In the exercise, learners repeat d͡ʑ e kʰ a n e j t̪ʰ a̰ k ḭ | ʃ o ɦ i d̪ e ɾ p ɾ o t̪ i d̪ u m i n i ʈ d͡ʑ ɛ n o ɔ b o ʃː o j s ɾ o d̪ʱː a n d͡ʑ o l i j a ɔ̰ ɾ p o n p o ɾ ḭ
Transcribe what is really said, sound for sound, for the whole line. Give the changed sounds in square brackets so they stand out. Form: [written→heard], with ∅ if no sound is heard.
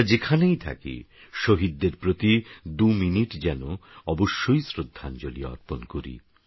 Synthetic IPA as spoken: d͡ʑ e kʰ a n e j t̪ʰ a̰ k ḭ | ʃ o ɦ i [d̪→d̪ː] e ɾ p ɾ o t̪ i d̪ u m i n i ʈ d͡ʑ ɛ n o ɔ b o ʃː o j s ɾ o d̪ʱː a n d͡ʑ o l i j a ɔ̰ ɾ p o n [p→k] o ɾ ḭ